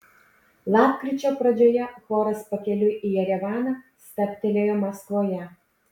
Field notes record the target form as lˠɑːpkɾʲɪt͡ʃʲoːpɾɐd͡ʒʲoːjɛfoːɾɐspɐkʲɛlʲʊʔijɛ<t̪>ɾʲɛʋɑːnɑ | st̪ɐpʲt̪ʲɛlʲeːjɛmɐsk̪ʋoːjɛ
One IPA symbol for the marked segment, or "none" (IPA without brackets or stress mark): none